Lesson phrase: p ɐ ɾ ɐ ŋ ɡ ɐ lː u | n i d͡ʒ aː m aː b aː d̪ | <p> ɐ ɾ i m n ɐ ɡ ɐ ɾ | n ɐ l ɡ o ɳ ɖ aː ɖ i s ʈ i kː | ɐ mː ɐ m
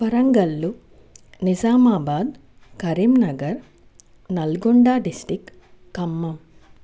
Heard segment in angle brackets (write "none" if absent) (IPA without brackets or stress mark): k